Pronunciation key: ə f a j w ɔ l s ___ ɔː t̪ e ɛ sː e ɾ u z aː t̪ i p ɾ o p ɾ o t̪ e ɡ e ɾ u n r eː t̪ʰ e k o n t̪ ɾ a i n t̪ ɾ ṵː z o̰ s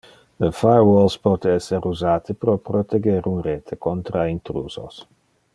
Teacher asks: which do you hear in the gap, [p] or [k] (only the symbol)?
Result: p